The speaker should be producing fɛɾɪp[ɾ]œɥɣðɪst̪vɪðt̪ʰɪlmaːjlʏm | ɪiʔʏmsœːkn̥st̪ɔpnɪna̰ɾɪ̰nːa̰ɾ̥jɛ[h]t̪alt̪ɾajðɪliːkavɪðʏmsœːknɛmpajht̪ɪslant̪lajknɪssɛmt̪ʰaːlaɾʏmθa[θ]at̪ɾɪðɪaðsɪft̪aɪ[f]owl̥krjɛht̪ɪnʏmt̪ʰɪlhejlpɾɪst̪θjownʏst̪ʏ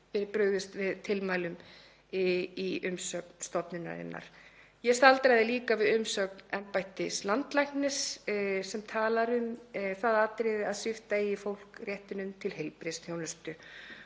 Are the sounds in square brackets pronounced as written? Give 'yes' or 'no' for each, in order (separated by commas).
yes, no, no, yes